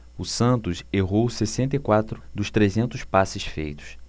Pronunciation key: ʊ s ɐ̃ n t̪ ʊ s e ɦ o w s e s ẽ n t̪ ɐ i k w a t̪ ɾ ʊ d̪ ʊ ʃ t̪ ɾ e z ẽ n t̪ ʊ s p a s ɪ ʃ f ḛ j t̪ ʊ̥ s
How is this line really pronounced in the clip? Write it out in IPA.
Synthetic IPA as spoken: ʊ s ɐ̃ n t̪ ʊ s e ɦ o w s e s ẽ n t̪ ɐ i k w a t̪ ɾ ʊ d̪ ʊ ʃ t̪ ɾ e z ẽ n t̪ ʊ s p a s ɪ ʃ f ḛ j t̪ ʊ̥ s